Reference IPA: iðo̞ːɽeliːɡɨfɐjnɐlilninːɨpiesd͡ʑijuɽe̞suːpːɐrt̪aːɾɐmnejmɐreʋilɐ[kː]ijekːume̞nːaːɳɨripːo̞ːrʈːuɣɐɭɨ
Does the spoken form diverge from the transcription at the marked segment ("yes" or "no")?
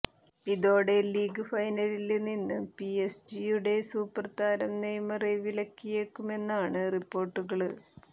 no